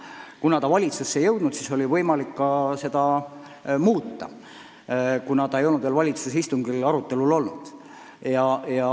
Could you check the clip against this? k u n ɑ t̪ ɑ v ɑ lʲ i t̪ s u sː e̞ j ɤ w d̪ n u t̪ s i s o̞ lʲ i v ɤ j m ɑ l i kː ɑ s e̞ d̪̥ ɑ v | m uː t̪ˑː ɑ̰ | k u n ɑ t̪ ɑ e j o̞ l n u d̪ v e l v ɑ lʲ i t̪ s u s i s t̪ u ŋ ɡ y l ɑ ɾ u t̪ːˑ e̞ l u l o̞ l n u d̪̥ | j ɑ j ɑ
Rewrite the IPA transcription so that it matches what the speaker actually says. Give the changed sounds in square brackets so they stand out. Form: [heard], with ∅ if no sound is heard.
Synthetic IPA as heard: k u n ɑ t̪ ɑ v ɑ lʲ i t̪ s u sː e̞ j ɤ w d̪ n u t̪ s i s o̞ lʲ i v ɤ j m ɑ l i kː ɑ s e̞ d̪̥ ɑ [∅] | m uː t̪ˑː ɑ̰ | k u n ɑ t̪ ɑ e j o̞ l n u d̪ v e l v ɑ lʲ i t̪ s u s i s t̪ u ŋ ɡ [i] l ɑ ɾ u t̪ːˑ e̞ l u l o̞ l n u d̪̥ | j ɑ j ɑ